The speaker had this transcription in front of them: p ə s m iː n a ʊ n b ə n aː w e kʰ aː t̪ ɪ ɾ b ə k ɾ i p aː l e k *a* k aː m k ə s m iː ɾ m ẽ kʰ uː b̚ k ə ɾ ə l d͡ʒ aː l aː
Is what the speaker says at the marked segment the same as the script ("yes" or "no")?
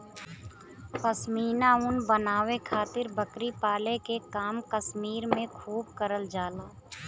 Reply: no